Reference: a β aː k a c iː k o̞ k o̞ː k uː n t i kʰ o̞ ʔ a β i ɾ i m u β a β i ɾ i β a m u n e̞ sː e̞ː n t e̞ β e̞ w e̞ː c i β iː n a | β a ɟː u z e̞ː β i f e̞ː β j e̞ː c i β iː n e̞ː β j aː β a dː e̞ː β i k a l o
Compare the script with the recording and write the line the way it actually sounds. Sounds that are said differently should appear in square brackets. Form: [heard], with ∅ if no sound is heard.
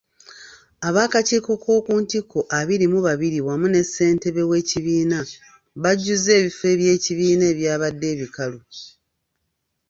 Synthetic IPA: a β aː k a c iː k o̞ k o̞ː k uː n t i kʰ o̞ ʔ a β i ɾ i m u β a β i ɾ i [w] a m u n e̞ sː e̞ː n t e̞ β e̞ w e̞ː c i β iː n a | β a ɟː u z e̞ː β i f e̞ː β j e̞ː c i β iː n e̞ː β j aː β a dː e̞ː β i k a l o